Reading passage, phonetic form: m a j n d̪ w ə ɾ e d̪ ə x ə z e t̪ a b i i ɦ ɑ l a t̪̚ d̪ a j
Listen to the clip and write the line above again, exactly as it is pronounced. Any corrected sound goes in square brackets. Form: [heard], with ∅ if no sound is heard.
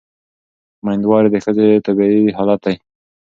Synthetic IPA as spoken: m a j n d̪ w [ɑ] ɾ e d̪ ə x ə z e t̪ a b i i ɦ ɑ l a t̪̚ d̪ a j